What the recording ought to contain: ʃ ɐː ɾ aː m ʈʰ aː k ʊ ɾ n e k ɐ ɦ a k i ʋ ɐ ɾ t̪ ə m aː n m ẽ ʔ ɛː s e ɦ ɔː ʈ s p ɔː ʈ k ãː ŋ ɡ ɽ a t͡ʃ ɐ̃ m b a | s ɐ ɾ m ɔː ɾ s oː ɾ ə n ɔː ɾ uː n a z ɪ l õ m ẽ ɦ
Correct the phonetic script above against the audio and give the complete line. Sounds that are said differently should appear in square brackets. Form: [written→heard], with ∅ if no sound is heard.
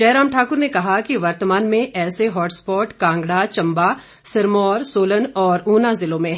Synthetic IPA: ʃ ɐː ɾ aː m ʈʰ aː k ʊ ɾ n e k ɐ ɦ a k i ʋ ɐ ɾ t̪ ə m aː n m ẽ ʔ ɛː s e ɦ ɔː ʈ s p ɔː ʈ k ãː ŋ ɡ ɽ a t͡ʃ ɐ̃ m b a | s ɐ ɾ m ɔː ɾ s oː [ɾ→l] ə n ɔː ɾ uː n a z ɪ l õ m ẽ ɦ